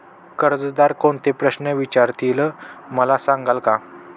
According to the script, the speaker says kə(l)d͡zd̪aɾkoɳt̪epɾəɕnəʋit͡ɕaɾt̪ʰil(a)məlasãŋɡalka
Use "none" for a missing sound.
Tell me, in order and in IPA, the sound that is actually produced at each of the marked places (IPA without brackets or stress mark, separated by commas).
ɾ, ə